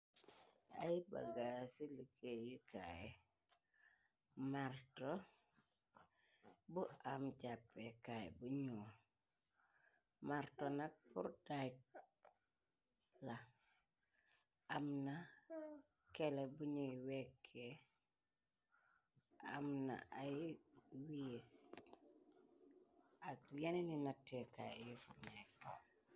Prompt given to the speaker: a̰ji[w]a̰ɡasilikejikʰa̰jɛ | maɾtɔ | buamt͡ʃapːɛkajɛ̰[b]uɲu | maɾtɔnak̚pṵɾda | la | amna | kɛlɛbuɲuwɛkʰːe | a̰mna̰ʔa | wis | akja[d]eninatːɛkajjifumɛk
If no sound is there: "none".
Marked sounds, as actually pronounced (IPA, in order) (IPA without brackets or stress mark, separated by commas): b, b, n